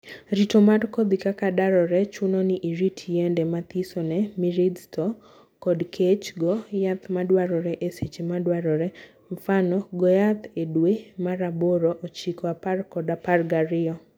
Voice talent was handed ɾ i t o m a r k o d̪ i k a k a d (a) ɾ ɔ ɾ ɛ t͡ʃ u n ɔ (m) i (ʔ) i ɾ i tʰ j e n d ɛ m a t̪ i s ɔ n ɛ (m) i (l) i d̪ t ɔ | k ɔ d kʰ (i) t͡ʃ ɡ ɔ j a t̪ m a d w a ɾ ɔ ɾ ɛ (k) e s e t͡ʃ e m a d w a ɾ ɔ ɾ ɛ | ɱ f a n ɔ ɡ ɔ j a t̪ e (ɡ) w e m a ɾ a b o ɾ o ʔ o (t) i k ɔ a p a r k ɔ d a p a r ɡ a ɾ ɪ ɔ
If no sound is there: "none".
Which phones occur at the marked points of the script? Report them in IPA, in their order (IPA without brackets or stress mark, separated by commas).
a, n, ʔ, m, ɾ, e, ʔ, d, t͡ʃ